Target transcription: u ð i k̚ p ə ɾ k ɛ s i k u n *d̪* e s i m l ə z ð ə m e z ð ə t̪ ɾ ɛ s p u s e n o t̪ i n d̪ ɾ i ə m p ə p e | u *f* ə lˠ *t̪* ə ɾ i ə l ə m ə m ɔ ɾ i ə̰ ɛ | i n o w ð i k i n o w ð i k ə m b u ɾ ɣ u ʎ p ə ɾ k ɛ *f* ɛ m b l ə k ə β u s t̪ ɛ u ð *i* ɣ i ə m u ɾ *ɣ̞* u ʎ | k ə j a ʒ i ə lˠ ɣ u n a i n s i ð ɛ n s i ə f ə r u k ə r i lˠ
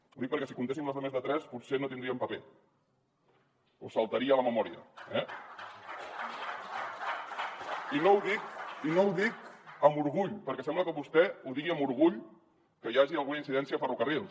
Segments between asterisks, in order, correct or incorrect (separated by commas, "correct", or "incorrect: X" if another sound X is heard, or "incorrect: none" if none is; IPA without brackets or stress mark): incorrect: t̪, incorrect: s, correct, incorrect: s, correct, correct